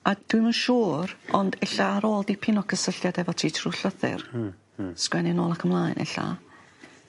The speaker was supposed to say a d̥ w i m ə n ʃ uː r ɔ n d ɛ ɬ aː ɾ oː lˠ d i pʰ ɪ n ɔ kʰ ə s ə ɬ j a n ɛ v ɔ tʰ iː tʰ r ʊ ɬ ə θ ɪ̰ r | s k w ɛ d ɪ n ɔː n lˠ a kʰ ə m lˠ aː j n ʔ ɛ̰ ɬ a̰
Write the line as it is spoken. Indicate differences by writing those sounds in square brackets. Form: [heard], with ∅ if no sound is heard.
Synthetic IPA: a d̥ w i m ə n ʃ uː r ɔ n d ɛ ɬ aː ɾ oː lˠ d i pʰ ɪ n ɔ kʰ ə s ə ɬ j a [d] ɛ v ɔ tʰ iː tʰ r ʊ ɬ ə θ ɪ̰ r | s k w ɛ [n] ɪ n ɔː [∅] lˠ a kʰ ə m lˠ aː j n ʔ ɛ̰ ɬ a̰